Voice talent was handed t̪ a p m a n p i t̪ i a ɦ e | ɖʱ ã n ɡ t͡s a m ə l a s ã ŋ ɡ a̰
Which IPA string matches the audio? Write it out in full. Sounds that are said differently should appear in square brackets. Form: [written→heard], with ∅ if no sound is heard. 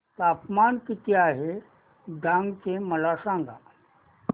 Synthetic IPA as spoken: t̪ a p m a n [p→k] i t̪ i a ɦ e | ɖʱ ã [n→ŋ] ɡ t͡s [a→e] m ə l a s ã ŋ ɡ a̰